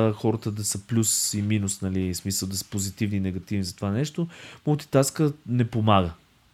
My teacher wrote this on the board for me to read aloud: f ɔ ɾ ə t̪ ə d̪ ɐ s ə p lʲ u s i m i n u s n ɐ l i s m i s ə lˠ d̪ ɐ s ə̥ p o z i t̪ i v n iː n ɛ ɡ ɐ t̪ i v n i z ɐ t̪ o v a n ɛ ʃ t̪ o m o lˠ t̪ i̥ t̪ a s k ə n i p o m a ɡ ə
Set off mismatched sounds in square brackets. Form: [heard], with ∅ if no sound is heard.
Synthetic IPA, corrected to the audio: [x] ɔ ɾ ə t̪ ə d̪ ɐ s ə p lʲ u s i m i n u s n ɐ l i s m i s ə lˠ d̪ ɐ s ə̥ p o z i t̪ i v n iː n ɛ ɡ ɐ t̪ i v n i z ɐ t̪ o v a n ɛ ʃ t̪ o m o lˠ t̪ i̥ t̪ a s k ə n [ɛ] p o m a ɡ ə